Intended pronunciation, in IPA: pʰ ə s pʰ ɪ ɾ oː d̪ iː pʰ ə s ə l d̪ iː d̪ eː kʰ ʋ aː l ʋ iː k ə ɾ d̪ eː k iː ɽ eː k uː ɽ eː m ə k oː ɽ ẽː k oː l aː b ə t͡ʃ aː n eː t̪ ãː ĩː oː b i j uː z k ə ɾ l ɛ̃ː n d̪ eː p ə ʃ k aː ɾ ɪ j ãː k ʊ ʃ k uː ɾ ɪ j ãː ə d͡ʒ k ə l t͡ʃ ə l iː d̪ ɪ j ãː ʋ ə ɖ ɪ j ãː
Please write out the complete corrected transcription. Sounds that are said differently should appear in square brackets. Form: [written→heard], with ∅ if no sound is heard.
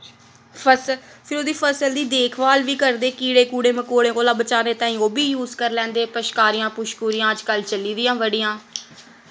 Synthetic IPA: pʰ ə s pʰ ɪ ɾ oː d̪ iː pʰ ə s ə l d̪ iː d̪ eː kʰ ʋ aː l ʋ iː k ə ɾ d̪ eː k iː ɽ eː k uː ɽ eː m ə k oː ɽ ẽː k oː l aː b ə t͡ʃ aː n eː t̪ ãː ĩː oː b [i→iː] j uː z k ə ɾ l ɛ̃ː n d̪ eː p ə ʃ k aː ɾ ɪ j ãː [k→p] ʊ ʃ k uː ɾ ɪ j ãː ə d͡ʒ k ə l t͡ʃ ə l iː d̪ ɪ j ãː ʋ ə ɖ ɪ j ãː